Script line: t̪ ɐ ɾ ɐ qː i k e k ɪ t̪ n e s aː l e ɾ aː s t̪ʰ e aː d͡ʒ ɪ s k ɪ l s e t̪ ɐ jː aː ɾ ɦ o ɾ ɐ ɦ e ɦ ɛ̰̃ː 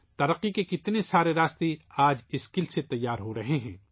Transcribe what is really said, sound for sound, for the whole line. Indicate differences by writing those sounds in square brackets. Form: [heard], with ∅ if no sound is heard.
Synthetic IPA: t̪ ɐ ɾ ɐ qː i k e k ɪ t̪ n e s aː [ɾ] e ɾ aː s [t̪] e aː d͡ʒ ɪ s k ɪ l s e t̪ ɐ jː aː ɾ ɦ o ɾ ɐ ɦ e ɦ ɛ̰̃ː